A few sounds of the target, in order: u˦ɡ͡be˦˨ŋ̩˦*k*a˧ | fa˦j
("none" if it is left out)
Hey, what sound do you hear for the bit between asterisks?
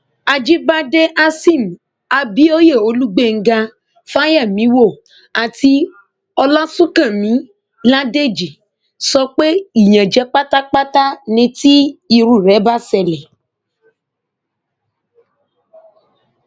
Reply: ɡ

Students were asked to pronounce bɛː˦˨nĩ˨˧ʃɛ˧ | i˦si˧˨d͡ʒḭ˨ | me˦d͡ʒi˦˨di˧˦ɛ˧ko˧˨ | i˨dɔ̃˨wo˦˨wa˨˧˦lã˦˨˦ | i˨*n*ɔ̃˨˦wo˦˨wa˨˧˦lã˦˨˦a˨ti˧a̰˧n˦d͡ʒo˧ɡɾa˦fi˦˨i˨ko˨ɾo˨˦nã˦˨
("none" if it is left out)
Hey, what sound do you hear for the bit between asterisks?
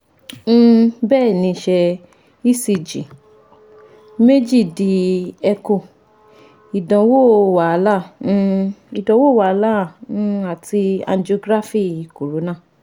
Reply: d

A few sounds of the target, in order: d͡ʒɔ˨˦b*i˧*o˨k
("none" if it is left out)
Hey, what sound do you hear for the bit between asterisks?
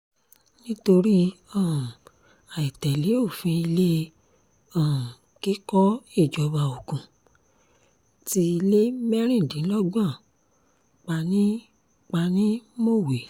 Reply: a˧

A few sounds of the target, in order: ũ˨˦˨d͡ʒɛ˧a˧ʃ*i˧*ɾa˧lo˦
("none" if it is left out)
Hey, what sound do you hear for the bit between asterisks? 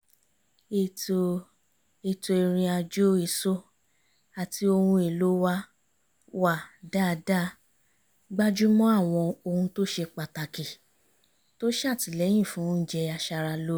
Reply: a˧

